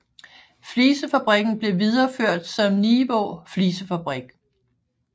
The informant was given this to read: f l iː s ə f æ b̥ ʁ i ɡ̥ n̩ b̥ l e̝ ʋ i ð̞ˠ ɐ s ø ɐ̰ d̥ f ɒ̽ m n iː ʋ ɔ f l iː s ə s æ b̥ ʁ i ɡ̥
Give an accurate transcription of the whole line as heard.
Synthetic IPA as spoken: f l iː s ə f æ b̥ ʁ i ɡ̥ n̩ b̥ l e̝ ʋ i ð̞ˠ ɐ f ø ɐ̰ d̥ s ɒ̽ m n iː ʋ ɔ f l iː s ə f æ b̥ ʁ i ɡ̥